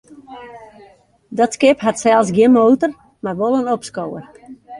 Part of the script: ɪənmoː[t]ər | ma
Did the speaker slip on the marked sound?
no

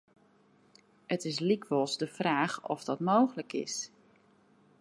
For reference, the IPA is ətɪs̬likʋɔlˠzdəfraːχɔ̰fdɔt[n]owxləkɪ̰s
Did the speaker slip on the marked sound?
yes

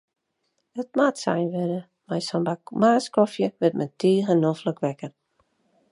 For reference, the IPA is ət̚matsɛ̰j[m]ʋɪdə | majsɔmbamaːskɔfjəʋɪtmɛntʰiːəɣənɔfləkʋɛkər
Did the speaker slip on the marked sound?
yes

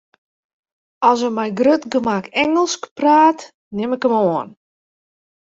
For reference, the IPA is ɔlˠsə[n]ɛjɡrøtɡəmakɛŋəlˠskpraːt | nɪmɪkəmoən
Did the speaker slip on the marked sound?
yes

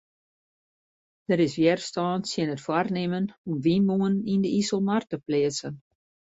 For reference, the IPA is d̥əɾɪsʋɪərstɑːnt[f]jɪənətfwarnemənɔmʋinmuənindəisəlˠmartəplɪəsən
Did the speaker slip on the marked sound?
yes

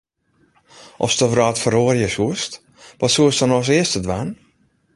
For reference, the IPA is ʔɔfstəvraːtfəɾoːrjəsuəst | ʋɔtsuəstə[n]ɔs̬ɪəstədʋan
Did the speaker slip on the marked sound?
no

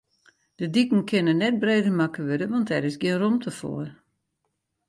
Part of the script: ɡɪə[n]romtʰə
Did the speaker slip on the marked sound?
no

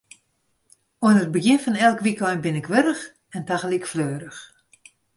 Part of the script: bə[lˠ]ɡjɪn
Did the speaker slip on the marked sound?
yes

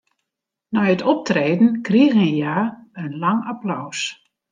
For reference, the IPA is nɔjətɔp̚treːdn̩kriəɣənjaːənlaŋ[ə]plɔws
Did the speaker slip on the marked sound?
yes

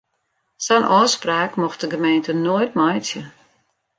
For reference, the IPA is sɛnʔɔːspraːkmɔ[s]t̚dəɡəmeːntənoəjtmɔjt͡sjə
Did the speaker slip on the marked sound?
yes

